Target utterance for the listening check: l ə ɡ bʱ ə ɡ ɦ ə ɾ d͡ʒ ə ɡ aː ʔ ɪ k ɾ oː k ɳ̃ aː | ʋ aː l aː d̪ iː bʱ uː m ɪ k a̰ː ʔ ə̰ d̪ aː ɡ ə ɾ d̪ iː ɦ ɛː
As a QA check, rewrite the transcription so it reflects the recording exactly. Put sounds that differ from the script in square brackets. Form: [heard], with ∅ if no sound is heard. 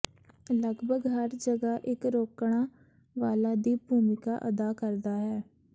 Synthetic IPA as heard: l ə ɡ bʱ ə ɡ ɦ ə ɾ d͡ʒ ə ɡ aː ʔ ɪ k ɾ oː k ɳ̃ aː | ʋ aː l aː d̪ iː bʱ uː m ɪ k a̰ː ʔ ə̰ d̪ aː [k] ə ɾ d̪ [aː] ɦ ɛː